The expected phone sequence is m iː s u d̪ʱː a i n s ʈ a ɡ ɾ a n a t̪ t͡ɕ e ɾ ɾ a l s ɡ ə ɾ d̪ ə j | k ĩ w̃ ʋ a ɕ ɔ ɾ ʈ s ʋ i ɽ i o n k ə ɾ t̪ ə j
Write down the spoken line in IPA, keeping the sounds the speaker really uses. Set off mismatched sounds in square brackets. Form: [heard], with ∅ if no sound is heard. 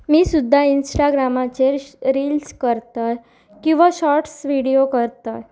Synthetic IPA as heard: m iː s u d̪ʱː a i n s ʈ a ɡ ɾ a [m] a [∅] t͡ɕ e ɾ ɾ [i] l s [k] ə ɾ [t̪] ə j | k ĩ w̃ ʋ a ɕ ɔ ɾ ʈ s ʋ i ɽ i o [∅] k ə ɾ t̪ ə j